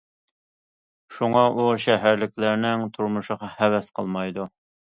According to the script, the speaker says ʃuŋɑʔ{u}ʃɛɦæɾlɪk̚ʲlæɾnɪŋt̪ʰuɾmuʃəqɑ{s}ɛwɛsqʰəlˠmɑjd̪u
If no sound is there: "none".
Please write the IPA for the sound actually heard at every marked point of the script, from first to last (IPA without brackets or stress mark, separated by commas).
u, h